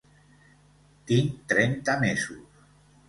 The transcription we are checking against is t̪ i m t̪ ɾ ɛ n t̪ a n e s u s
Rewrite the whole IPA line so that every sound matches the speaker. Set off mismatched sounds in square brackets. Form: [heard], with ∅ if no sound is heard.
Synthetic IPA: t̪ i [ŋ] t̪ ɾ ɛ n t̪ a [m] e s u s